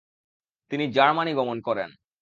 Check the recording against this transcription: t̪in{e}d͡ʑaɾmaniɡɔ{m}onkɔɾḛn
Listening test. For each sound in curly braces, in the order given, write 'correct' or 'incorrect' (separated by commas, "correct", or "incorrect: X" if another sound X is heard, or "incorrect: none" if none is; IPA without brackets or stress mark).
incorrect: i, correct